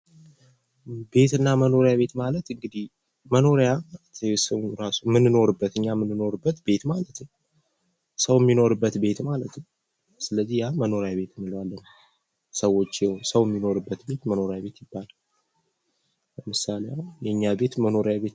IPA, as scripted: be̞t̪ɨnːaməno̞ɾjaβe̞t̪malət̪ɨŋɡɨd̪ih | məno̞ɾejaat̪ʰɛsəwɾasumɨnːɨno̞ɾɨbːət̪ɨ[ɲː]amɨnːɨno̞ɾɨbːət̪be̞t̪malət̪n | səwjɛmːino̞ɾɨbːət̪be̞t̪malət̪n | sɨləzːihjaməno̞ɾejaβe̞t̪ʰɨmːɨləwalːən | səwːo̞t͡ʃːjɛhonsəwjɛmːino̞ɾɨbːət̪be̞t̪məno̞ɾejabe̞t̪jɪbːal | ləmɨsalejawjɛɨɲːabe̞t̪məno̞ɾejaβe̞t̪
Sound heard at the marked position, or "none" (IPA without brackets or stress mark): ɲː